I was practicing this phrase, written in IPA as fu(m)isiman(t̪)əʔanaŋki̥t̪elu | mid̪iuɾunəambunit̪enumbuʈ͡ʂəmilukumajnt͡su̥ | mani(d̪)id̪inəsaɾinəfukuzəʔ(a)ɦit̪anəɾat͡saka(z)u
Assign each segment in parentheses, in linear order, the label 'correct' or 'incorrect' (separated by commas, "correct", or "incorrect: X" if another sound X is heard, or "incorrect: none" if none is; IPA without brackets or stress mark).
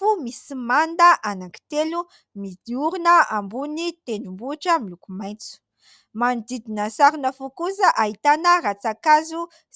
correct, incorrect: d̪, correct, correct, correct